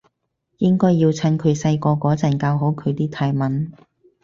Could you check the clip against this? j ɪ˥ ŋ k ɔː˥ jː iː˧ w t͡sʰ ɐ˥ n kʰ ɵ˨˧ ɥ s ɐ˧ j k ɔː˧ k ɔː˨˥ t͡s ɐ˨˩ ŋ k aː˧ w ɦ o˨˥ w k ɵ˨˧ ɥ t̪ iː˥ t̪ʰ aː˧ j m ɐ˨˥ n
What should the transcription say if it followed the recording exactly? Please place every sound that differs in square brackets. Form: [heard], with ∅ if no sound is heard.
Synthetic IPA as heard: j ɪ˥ ŋ k ɔː˥ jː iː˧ w t͡sʰ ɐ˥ n kʰ ɵ˨˧ ɥ s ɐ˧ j k ɔː˧ k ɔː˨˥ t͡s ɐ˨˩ [n] k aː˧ w ɦ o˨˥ w [kʰ] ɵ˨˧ ɥ t̪ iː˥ t̪ʰ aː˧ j m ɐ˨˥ n

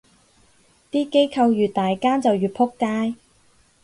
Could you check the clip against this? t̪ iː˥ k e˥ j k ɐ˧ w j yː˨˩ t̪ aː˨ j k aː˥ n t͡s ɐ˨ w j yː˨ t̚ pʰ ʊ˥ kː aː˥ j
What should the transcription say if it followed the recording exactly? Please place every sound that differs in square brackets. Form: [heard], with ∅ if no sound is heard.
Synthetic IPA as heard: t̪ iː˥ k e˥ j [kʰ] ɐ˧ w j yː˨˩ t̪ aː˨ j k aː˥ n t͡s ɐ˨ w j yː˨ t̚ pʰ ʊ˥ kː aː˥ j

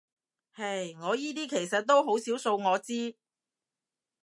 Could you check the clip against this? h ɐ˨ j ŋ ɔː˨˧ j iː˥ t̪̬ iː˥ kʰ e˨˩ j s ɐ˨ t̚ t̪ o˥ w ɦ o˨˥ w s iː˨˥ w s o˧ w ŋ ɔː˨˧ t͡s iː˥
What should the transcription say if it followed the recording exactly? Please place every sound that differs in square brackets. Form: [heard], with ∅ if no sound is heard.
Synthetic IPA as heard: h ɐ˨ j ŋ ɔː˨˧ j iː˥ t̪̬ iː˥ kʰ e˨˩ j s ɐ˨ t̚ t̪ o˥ w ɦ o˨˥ w s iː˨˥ w s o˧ w ŋ ɔː˨˧ t͡s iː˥

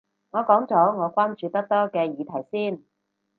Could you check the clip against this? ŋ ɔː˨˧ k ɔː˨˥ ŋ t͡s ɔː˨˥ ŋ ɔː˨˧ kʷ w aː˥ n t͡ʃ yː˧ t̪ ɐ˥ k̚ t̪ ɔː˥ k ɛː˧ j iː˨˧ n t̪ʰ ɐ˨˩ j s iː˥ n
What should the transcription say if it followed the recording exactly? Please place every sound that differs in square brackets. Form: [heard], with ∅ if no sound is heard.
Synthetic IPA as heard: ŋ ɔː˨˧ k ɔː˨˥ ŋ t͡s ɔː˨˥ ŋ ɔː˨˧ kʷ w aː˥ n t͡ʃ yː˧ t̪ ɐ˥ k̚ t̪ ɔː˥ k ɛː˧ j iː˨˧ [∅] t̪ʰ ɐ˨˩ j s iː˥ n

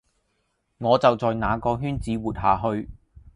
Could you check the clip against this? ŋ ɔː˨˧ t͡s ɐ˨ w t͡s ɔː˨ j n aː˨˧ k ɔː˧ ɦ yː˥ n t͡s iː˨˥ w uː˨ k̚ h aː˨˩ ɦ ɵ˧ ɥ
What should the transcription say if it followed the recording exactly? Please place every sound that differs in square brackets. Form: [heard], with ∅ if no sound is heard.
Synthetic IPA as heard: ŋ ɔː˨˧ t͡s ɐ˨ w t͡s ɔː˨ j n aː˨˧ k ɔː˧ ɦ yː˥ n t͡s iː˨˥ w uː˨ [t̚] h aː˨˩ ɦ ɵ˧ ɥ

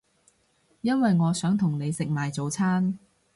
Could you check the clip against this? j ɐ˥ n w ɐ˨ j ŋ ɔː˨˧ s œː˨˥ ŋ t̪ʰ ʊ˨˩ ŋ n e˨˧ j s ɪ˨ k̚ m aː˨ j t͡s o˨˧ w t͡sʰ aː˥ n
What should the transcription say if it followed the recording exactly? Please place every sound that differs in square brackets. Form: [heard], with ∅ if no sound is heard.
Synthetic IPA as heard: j ɐ˥ n w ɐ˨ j ŋ ɔː˨˧ s œː˨˥ ŋ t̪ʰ ʊ˨˩ ŋ n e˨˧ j s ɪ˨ k̚ m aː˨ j t͡s o˨˧ w t͡sʰ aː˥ n

